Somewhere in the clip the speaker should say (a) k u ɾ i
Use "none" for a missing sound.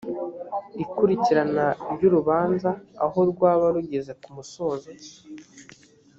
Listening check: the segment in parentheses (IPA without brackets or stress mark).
i